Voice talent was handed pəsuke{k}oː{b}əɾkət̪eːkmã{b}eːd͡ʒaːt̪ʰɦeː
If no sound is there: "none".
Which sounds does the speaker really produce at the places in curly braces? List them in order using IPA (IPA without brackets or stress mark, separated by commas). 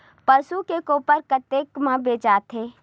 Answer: k, p, b